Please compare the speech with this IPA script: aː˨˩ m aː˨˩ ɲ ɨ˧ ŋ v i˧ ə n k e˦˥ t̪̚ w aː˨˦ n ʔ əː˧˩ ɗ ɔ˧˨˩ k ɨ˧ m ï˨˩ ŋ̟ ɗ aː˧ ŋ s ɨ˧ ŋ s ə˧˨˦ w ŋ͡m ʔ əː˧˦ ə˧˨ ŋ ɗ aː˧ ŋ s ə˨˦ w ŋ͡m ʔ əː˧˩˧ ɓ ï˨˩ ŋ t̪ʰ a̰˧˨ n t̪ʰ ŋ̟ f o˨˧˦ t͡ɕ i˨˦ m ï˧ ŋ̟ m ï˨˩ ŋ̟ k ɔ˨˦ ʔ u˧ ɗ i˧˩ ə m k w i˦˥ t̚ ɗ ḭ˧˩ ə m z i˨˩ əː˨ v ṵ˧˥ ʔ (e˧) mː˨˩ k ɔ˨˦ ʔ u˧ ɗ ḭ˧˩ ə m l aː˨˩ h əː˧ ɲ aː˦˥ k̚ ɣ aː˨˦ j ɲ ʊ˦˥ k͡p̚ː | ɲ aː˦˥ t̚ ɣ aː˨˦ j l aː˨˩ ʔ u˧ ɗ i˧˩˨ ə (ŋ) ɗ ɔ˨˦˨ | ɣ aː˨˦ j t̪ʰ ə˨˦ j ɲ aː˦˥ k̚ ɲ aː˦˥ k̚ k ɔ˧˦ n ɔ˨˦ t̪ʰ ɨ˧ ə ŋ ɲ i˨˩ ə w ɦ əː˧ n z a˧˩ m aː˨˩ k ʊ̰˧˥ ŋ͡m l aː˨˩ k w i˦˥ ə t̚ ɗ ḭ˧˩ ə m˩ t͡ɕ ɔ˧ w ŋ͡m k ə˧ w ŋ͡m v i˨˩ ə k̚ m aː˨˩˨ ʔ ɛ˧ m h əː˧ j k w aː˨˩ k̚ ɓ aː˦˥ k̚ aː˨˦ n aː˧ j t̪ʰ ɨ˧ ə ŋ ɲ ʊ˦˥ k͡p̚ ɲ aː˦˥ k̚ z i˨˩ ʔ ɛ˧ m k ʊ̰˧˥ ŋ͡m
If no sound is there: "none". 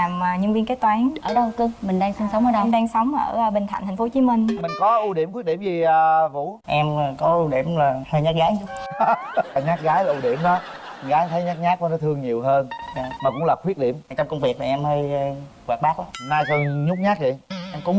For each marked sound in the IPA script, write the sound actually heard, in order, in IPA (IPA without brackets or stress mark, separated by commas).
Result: ɛ˧, m